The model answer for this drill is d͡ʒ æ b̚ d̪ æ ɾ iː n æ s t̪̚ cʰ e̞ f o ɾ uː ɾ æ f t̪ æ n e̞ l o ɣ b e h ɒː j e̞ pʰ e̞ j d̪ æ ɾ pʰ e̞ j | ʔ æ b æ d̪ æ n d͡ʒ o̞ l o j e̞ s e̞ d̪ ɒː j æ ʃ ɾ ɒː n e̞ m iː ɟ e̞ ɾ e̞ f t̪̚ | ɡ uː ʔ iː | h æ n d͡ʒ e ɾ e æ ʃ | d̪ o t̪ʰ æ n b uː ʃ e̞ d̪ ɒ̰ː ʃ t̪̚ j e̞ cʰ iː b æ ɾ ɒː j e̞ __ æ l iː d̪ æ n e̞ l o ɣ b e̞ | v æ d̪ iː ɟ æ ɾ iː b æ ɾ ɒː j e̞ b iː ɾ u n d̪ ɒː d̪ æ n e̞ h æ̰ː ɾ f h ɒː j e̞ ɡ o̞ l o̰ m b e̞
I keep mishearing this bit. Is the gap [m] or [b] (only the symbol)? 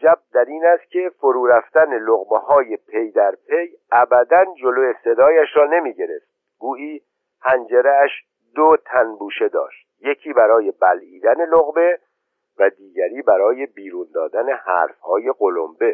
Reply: b